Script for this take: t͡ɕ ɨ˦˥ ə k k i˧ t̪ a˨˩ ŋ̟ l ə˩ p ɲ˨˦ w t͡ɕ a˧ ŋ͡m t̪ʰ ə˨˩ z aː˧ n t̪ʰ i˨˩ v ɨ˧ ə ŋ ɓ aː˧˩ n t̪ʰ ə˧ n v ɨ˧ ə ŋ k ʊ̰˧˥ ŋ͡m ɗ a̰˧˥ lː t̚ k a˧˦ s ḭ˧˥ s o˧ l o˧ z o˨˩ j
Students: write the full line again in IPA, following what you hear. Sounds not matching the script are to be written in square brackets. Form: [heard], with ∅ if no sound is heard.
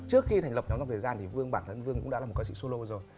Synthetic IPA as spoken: t͡ɕ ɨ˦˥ ə k [x] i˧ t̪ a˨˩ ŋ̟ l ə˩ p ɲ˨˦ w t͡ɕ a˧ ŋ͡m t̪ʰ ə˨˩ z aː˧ n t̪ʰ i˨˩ v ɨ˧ ə ŋ ɓ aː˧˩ n t̪ʰ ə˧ n v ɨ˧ ə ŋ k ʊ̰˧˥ ŋ͡m ɗ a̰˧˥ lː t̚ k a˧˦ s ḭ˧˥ s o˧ l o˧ z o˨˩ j